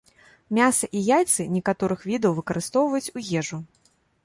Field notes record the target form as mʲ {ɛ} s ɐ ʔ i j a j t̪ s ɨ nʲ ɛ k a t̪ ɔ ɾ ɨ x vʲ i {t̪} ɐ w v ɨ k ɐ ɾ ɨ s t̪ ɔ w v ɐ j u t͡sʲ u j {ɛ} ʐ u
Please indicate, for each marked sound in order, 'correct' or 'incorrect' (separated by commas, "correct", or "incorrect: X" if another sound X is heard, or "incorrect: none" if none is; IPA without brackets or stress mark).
incorrect: a, incorrect: d̪, correct